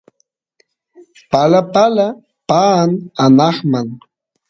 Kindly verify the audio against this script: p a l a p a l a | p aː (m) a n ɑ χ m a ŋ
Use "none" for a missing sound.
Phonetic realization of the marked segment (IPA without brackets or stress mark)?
n